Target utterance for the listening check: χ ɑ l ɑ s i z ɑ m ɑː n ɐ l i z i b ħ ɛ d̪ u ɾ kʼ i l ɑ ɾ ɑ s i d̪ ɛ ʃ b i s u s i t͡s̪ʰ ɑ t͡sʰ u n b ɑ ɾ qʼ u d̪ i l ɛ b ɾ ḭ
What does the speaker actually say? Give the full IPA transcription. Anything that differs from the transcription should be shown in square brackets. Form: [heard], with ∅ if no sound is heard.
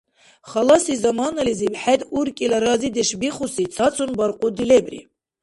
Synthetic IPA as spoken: χ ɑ l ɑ s i z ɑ m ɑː n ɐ l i z i b ħ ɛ d̪ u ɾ kʼ i l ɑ ɾ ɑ [z] i d̪ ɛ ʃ b i [χ] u s i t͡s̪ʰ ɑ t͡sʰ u n b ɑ ɾ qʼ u d̪ i l ɛ b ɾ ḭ

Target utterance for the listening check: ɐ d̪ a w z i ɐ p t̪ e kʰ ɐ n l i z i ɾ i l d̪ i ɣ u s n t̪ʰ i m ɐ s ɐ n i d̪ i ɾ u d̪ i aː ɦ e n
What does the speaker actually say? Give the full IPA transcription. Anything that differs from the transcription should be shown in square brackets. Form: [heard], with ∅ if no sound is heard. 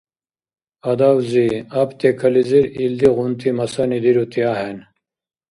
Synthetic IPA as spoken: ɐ d̪ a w z i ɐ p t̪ e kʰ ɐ [∅] l i z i ɾ i l d̪ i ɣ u [∅] n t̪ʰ i m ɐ s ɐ n i d̪ i ɾ u [t̪] i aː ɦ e n

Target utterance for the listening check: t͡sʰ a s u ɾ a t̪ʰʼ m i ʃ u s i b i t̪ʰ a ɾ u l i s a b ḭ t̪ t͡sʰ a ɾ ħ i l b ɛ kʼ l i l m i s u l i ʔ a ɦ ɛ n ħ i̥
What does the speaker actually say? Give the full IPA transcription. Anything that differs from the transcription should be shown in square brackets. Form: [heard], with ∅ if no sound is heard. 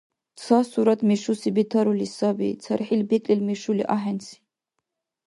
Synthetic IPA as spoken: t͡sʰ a s u ɾ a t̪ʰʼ m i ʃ u s i b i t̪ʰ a ɾ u l i s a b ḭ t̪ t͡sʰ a ɾ ħ i l b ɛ kʼ l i l m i [ʃ] u l i ʔ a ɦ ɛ n [s] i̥

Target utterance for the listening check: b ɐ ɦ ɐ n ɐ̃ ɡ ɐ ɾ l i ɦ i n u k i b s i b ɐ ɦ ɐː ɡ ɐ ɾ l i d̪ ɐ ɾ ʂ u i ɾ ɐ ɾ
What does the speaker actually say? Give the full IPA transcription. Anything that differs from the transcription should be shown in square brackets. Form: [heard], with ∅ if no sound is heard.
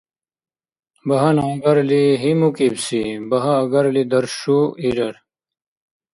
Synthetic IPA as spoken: b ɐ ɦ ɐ n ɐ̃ ɡ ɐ ɾ l i ɦ i [m] u k i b s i b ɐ ɦ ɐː ɡ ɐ ɾ l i d̪ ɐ ɾ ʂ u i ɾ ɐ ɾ

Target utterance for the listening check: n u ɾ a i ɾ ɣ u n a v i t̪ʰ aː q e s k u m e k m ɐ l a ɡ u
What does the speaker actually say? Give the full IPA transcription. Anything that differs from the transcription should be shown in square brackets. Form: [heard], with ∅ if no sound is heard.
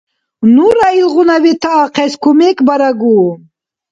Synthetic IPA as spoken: n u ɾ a i [l] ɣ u n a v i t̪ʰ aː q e s k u m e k [b] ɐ [ɾ] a ɡ u

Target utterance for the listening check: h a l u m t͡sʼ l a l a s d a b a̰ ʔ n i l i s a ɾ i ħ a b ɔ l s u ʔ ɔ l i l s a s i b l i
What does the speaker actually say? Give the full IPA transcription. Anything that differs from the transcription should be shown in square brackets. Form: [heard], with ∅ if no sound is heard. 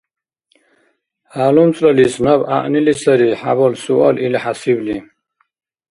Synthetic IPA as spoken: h a l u m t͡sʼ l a l [i] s [n] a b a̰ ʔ n i l i s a ɾ i ħ a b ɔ l s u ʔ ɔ l i l [ħ] a s i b l i

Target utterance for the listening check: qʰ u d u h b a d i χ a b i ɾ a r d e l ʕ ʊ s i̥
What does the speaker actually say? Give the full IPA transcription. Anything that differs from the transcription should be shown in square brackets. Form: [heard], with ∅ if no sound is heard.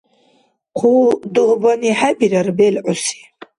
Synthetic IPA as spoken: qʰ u d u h b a [n] i [ħ] a b i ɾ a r [b] e l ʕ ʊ s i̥

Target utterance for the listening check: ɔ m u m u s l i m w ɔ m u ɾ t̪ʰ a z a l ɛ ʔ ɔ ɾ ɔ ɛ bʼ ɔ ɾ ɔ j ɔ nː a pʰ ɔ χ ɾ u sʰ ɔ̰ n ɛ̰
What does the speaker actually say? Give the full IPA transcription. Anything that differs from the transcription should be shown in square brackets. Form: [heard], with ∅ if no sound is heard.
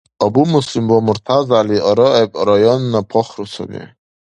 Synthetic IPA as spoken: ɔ [b] u m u s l i m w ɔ m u ɾ t̪ʰ a z a l [i] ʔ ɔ ɾ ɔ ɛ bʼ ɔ ɾ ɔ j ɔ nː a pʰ ɔ χ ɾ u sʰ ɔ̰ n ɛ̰

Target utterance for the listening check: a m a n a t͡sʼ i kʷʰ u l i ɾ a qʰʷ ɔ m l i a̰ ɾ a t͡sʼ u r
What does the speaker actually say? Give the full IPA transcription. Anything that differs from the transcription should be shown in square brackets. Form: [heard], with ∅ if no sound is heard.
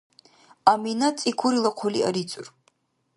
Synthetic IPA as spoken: a m [i] n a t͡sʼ i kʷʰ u [ɾ] i [l] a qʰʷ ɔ [∅] l i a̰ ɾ [i] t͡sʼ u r

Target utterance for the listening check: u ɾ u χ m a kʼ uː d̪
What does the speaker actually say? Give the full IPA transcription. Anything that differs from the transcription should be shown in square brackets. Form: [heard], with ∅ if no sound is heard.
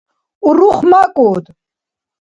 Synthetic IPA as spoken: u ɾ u χ m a kʼ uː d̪

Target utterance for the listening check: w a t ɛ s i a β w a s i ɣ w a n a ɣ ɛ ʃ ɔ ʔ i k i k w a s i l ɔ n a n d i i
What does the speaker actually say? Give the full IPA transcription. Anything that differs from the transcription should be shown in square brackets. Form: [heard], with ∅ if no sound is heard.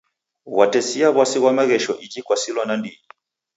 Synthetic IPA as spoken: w a t ɛ s i a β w a s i ɣ w a [m] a ɣ ɛ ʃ ɔ ʔ i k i k w a s i l ɔ n a n d i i

